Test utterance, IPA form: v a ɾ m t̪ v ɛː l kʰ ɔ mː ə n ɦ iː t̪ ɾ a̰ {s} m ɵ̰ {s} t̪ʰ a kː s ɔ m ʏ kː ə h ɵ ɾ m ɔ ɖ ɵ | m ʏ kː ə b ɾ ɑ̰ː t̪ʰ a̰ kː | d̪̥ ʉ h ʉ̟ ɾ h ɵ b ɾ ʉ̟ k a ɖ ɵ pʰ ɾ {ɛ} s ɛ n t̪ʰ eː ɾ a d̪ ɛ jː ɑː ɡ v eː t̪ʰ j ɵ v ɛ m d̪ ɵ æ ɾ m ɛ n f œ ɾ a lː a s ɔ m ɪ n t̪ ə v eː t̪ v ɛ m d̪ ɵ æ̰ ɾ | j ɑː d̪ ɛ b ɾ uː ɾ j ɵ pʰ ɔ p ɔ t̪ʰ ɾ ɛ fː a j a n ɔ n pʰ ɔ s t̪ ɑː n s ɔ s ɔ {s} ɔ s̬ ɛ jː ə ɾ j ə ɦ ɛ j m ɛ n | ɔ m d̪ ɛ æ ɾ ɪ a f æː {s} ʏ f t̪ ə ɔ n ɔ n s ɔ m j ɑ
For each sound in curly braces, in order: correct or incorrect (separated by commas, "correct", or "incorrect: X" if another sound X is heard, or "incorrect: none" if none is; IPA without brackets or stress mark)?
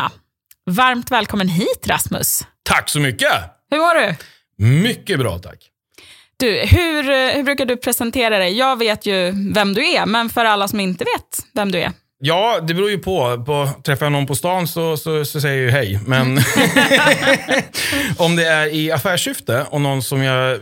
correct, correct, correct, correct, incorrect: ʂ